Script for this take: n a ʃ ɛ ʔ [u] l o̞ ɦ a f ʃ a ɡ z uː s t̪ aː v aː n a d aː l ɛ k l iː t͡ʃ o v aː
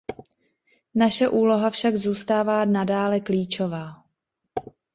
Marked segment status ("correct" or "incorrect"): incorrect